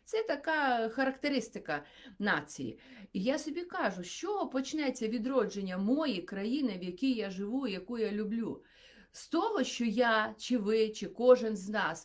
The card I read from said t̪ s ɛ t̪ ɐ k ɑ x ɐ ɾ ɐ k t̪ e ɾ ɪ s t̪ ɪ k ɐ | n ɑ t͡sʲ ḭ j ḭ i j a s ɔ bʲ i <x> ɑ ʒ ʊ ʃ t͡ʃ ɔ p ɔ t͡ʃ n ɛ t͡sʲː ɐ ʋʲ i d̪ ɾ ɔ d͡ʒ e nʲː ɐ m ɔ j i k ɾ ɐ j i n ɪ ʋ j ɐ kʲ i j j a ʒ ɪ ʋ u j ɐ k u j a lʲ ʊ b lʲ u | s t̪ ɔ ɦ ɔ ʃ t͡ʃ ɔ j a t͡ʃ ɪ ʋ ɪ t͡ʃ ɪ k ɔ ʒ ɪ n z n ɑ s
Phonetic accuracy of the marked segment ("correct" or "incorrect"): incorrect